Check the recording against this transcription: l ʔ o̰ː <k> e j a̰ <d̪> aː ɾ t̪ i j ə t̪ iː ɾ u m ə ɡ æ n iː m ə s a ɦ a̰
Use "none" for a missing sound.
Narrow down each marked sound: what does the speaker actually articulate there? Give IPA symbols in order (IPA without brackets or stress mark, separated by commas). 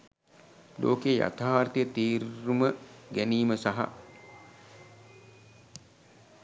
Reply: k, t̪